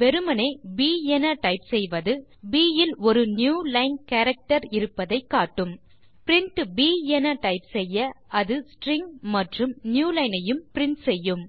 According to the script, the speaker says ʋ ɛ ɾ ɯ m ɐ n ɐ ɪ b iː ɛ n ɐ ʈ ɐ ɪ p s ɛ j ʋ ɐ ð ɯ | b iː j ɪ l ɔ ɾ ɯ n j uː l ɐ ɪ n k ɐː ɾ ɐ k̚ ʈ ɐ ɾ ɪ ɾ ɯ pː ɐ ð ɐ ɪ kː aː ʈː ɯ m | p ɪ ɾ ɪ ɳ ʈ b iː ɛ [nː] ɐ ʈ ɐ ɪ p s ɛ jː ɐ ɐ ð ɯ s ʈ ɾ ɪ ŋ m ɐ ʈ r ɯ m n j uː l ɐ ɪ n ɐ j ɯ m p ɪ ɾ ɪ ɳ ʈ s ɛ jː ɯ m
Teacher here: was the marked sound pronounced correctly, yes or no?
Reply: no